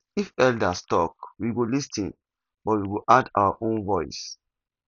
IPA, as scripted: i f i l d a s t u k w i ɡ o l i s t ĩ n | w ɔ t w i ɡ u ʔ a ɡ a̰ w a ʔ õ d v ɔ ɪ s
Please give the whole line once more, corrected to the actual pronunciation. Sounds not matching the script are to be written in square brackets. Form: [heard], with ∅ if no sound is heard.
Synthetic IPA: i f [ɛ] l d a s t [ɔ] k w i ɡ o l i s t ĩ n | [b] ɔ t w i ɡ [o] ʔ a [d] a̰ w a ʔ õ [n] v ɔ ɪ s